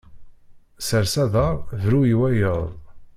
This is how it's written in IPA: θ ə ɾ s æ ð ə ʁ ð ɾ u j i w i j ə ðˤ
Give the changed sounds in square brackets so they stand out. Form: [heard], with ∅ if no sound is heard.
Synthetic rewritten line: [s] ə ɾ s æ ð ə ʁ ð ɾ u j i w [æ] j ə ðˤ

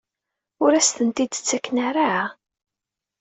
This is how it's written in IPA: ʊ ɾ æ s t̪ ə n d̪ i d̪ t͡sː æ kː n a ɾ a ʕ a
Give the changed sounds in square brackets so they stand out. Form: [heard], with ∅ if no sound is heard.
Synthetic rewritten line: ʊ ɾ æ s t̪ ə n [t̪] i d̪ t͡sː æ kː n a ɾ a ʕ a

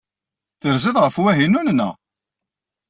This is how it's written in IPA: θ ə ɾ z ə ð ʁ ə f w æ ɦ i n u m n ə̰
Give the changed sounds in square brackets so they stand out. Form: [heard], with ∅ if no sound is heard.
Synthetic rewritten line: θ ə ɾ z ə ð ʁ ə f w æ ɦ i n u [n] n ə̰

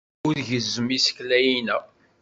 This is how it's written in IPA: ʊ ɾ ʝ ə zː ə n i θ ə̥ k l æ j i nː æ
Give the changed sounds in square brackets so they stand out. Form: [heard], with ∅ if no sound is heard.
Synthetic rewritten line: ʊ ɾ ʝ ə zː ə [m] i [s] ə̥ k l æ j i [n] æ

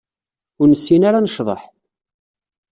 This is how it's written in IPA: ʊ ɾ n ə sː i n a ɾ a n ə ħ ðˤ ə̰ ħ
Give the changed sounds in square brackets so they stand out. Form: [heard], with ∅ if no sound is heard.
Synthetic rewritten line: ʊ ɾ n ə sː i n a ɾ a n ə [ʃ] ðˤ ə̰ ħ

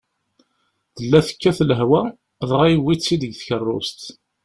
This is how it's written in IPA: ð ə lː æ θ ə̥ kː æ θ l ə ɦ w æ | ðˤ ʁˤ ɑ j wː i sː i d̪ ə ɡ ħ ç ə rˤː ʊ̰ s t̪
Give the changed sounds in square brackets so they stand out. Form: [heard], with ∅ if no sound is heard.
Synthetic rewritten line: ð ə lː æ θ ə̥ kː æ θ l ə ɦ w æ | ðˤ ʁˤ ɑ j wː i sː i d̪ ə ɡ [θ] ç ə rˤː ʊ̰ s t̪

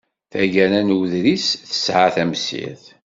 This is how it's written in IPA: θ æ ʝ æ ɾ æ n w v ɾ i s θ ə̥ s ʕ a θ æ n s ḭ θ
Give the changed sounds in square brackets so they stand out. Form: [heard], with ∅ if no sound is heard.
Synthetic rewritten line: θ æ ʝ æ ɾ æ n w [ð] ɾ i s θ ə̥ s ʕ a θ æ [m] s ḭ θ

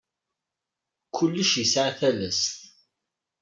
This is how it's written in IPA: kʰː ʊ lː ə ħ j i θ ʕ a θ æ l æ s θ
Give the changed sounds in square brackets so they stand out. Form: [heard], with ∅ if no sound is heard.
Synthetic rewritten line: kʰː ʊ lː ə [ʃ] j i [s] ʕ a θ æ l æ s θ

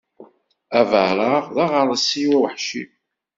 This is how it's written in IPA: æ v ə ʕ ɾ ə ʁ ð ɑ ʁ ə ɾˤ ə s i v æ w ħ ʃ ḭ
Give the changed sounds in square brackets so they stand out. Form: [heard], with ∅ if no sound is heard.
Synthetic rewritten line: æ v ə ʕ ɾ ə ʁ ð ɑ ʁ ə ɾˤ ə s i [w] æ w ħ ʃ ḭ

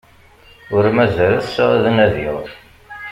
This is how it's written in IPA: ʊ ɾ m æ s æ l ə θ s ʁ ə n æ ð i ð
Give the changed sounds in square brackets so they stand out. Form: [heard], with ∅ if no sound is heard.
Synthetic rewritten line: ʊ ɾ m æ [z] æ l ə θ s [ð] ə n æ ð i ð

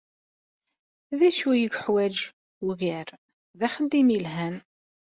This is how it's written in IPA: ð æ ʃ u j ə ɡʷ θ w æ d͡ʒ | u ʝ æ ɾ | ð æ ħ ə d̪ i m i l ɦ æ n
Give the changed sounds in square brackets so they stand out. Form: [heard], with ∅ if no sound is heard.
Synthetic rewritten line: ð æ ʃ u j ə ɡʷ [ħ] w æ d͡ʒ | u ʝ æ ɾ | ð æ [χ] ə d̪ i m i l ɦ æ n

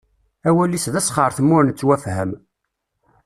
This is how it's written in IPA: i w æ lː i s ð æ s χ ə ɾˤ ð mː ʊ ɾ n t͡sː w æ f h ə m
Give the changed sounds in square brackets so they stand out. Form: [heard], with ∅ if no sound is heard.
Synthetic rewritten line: [æ] w æ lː i s ð æ s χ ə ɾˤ [θ] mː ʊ ɾ n t͡sː w æ f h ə m

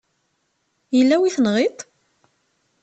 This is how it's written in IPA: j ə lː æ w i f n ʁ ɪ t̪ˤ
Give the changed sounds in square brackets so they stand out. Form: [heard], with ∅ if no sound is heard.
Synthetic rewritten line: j ə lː æ w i [θ] n ʁ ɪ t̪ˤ

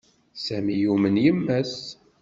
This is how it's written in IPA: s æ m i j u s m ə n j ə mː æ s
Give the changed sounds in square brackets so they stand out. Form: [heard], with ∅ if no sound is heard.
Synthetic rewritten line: s æ m i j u [∅] m ə n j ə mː æ s

